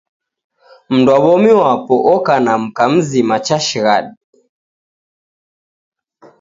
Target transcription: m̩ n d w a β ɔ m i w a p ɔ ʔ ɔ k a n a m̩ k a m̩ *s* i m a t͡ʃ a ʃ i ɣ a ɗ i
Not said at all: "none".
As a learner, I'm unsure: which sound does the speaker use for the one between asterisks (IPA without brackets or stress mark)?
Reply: z